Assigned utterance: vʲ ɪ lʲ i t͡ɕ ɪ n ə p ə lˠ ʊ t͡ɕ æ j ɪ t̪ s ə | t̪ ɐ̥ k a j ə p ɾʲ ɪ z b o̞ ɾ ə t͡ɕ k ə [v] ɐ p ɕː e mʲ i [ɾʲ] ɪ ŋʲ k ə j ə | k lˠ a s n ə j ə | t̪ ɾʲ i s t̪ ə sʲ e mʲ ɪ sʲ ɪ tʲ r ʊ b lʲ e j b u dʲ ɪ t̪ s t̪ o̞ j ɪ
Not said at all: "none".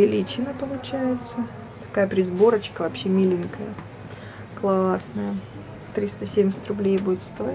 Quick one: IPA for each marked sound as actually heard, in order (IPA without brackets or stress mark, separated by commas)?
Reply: v, lʲ